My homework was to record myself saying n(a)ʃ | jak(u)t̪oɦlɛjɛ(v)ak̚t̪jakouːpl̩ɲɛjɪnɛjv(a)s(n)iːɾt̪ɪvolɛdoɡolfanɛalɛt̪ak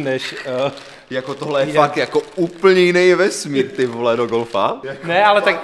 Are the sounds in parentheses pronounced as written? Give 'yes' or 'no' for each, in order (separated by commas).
no, no, no, no, no